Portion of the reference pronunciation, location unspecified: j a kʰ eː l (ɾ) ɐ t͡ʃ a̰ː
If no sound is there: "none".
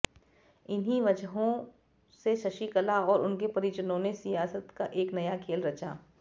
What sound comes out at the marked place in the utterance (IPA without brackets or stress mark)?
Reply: ɾ